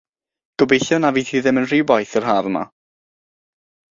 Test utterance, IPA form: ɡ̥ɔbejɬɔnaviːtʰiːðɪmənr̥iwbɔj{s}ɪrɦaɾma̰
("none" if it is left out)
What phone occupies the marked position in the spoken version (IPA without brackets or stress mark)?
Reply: θ